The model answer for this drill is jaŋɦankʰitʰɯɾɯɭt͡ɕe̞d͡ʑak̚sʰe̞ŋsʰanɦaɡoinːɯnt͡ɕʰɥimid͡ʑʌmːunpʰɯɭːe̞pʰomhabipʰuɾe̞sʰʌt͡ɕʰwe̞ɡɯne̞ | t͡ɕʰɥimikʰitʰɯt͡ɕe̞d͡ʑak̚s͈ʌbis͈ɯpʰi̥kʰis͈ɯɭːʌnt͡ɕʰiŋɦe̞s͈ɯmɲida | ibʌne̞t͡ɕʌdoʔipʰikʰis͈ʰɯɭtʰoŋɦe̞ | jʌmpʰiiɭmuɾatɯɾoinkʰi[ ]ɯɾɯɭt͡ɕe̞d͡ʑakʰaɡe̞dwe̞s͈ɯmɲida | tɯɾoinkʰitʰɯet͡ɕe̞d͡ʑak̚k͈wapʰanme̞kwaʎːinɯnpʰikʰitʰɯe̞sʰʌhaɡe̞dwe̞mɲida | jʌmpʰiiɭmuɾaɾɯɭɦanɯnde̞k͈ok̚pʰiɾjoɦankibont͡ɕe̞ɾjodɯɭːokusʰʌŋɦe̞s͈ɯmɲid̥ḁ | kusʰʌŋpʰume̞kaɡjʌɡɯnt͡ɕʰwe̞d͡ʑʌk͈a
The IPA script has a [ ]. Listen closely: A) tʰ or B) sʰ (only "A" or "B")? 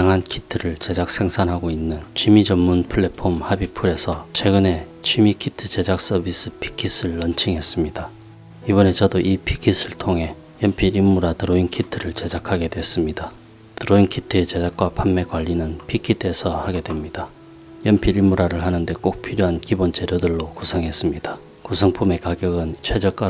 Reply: A